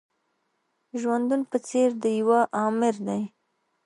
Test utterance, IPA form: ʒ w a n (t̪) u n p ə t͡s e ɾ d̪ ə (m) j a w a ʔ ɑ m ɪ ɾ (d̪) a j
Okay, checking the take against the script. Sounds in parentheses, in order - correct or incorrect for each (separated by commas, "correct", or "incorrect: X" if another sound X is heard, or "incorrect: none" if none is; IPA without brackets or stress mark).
incorrect: d̪, incorrect: none, correct